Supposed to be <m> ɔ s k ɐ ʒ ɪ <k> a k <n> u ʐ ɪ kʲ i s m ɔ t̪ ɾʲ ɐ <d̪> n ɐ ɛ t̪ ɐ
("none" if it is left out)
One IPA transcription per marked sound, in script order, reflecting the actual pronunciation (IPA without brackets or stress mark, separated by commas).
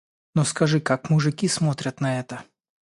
n, k, m, t̪